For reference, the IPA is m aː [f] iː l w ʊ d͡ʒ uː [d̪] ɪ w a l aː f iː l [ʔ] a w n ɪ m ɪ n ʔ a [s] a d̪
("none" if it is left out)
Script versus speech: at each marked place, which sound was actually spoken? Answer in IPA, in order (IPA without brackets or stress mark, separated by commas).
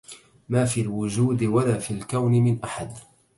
f, d̪, k, ħ